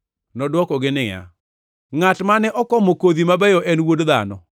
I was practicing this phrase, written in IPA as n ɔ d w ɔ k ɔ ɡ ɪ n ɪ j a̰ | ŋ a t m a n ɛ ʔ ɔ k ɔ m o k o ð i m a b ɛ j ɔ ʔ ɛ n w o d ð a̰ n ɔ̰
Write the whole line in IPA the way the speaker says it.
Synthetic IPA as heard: n ɔ d w ɔ k ɔ ɡ ɪ n ɪ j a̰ | ŋ a t m a n ɛ ʔ ɔ k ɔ m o k o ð i m a b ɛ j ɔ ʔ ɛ n w o d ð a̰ n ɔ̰